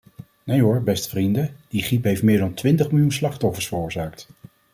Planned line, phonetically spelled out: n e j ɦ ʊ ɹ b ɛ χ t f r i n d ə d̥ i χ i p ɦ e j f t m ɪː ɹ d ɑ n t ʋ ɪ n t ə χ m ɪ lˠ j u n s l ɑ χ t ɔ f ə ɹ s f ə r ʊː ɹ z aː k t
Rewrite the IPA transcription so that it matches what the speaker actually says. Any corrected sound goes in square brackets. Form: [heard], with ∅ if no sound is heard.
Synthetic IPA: n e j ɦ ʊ ɹ b ɛ [s] t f r i n d ə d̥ i χ i p ɦ e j f t m ɪː ɹ d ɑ n t ʋ ɪ n t ə χ m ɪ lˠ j u n s l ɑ χ t ɔ f ə ɹ s f ə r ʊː ɹ z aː k t

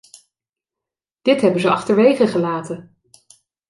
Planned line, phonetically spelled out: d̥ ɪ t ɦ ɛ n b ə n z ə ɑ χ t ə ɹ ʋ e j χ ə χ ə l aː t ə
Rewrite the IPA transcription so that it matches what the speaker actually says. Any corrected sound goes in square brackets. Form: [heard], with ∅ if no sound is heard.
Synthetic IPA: d̥ ɪ t ɦ ɛ [∅] b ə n z ə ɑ χ t ə ɹ ʋ e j χ ə χ ə l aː t ə

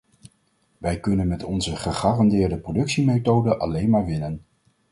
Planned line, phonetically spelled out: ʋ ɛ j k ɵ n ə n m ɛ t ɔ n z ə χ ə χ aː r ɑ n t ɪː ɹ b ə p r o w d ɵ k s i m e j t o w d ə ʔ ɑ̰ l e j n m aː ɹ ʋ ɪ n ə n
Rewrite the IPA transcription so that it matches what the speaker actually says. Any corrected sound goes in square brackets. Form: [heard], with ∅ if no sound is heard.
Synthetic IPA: ʋ ɛ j k ɵ n ə n m ɛ t ɔ n z ə χ ə χ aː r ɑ n [d] ɪː ɹ [d] ə p r o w d ɵ k s i m e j t o w d ə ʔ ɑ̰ l e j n m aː ɹ ʋ ɪ n ə n

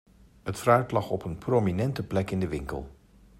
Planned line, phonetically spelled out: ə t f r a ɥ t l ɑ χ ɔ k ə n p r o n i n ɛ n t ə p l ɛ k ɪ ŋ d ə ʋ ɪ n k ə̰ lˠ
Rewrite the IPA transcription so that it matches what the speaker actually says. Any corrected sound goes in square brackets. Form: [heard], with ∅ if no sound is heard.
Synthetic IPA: ə t f r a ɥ t l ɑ χ ɔ [p] ə n p r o [m] i n ɛ n t ə p l ɛ k ɪ [n] d ə ʋ ɪ [ŋ] k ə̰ lˠ

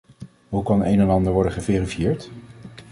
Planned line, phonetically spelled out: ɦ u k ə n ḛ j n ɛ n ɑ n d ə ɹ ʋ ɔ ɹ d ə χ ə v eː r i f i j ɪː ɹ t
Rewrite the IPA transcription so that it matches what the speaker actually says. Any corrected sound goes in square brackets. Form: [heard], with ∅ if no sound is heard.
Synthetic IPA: ɦ u k [ɑ] n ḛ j n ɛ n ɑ n d ə ɹ ʋ ɔ ɹ d ə χ ə v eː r i f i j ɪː ɹ t

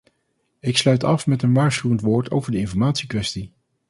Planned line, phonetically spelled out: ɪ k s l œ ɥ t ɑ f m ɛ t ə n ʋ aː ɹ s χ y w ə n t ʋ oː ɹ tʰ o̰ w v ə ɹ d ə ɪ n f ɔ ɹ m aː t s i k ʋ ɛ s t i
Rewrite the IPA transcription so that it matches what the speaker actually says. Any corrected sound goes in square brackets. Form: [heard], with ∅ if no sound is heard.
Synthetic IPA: ɪ k s l œ ɥ t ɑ f m ɛ t ə n ʋ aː ɹ s χ y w ə n t ʋ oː ɹ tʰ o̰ w v ə ɹ d ə ɪ n f ɔ ɹ m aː t s i k ʋ ɛ s t i

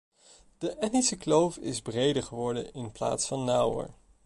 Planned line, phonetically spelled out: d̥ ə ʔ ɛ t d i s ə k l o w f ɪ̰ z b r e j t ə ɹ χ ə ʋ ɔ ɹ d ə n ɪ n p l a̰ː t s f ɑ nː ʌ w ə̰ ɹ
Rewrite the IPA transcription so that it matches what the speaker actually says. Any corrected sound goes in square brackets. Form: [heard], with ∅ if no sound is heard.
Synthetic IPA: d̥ ə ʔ ɛ t [n] i s ə k l o w f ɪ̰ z b r e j [d] ə ɹ χ ə ʋ ɔ ɹ d ə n ɪ n p l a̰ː t s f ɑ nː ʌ w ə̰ ɹ

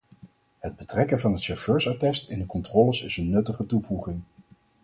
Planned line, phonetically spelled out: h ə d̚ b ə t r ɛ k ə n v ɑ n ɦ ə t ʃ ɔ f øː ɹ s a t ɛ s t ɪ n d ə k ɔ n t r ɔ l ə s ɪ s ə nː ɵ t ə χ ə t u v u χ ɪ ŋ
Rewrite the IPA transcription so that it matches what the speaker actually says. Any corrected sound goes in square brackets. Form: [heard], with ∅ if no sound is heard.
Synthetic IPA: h ə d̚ b ə t r ɛ k ə n v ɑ n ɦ ə t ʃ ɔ f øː ɹ s a t ɛ s t ɪ n d ə k ɔ n t r ɔ l ə s ɪ s ə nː ɵ t ə χ ə t u v u χ ɪ ŋ

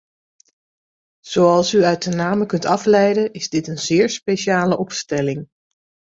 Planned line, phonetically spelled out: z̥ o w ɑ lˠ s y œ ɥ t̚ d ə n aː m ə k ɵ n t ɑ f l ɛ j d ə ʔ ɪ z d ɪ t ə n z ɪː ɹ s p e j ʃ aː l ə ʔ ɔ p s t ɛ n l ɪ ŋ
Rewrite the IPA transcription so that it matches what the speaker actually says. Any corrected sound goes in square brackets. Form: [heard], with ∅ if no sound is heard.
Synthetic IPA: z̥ o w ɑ lˠ s y œ ɥ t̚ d ə n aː m ə k ɵ n t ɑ f l ɛ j d ə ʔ ɪ z d ɪ t ə n z ɪː ɹ s p e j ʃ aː l ə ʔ ɔ p s t ɛ [∅] l ɪ ŋ

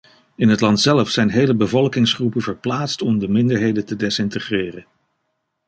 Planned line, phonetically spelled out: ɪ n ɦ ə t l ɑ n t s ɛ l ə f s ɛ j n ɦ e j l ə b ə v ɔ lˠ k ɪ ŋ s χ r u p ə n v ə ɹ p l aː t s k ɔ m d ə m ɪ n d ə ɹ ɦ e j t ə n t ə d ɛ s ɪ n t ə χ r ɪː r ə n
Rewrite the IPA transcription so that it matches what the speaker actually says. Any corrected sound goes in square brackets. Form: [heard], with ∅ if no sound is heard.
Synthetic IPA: ɪ n ɦ ə t l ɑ n t s ɛ l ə f s ɛ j n ɦ e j l ə b ə v ɔ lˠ k ɪ ŋ s χ r u p ə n v ə ɹ p l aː t s [t] ɔ m d ə m ɪ n d ə ɹ ɦ e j [d] ə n t ə d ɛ s ɪ n t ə χ r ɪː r ə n

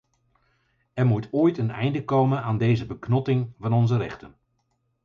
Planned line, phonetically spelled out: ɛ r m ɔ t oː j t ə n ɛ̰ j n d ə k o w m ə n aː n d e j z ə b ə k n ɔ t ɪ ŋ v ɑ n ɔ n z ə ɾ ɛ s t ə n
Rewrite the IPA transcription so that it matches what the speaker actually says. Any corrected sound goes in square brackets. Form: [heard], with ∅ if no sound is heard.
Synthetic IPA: ɛ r m [u] t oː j t ə n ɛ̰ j n d ə k o w m ə n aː n d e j z ə b ə k n ɔ t ɪ ŋ v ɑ n ɔ n z ə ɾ ɛ [χ] t ə n

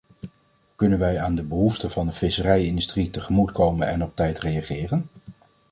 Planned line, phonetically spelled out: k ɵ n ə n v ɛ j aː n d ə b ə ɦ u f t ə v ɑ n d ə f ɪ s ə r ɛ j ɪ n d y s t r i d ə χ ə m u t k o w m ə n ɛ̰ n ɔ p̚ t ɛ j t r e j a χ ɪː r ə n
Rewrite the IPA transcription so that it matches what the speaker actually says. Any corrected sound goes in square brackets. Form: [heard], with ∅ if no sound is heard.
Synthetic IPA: k ɵ n ə n [ʋ] ɛ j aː n d ə b ə ɦ u f t ə v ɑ n d ə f ɪ s ə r ɛ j ɪ n d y s t r i [t] ə χ ə m u t k o w m ə n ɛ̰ n ɔ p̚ t ɛ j t r e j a χ ɪː r ə n

